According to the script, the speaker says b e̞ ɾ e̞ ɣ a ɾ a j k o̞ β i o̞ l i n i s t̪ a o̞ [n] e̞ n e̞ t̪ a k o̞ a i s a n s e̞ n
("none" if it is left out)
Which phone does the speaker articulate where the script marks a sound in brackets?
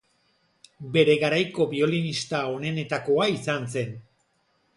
n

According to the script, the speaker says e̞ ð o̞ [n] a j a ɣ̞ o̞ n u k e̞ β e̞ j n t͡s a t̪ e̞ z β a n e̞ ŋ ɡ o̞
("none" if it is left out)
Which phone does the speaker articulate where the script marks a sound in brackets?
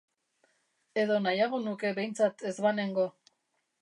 n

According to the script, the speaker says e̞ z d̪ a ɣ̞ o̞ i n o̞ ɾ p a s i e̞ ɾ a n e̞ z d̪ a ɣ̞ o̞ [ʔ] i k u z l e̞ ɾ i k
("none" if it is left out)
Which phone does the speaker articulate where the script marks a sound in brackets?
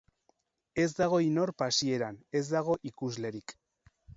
ʔ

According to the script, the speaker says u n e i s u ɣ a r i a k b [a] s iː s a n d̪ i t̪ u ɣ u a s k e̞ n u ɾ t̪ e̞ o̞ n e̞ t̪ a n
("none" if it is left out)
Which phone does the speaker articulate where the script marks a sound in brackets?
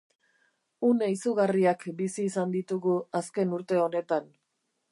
i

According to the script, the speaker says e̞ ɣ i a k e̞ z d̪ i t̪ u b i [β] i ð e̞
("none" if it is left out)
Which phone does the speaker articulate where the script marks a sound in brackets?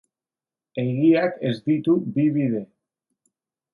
β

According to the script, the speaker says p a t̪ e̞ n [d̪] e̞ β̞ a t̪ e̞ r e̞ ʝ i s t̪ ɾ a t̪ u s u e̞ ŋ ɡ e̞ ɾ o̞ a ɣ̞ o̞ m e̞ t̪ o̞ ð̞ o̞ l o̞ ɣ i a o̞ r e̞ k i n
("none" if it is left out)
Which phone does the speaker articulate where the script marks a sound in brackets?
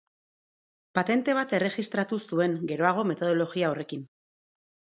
t̪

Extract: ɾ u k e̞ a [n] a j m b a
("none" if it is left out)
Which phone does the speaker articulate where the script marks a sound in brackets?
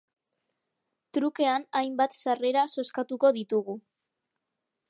n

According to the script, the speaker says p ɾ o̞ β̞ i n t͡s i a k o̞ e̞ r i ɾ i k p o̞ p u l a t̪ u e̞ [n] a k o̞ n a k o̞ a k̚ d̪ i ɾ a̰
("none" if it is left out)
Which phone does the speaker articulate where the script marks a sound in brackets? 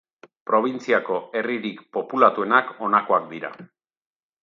n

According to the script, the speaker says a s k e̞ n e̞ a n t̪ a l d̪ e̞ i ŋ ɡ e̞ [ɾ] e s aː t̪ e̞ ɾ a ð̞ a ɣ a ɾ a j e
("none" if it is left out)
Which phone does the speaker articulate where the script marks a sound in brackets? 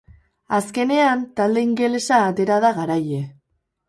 l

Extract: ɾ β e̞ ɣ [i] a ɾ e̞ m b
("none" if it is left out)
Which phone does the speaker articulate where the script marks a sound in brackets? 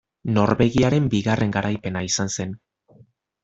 i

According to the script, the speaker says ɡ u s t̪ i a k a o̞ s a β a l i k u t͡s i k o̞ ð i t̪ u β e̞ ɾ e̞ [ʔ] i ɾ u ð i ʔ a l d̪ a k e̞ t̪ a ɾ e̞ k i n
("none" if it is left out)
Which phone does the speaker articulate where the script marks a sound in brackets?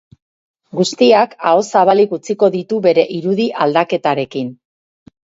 ʔ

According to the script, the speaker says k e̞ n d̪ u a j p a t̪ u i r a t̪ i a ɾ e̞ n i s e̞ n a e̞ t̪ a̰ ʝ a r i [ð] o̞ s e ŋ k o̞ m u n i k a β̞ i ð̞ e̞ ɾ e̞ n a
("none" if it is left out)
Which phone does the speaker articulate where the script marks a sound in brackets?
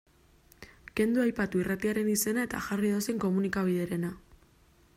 ð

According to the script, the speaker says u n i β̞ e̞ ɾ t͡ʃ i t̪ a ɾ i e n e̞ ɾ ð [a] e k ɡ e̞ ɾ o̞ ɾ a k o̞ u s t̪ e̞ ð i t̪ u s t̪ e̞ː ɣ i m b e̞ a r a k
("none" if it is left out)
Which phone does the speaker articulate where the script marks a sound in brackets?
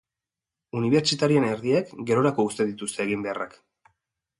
i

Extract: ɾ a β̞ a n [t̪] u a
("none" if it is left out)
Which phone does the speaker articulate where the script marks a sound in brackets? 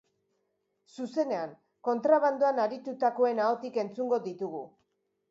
d̪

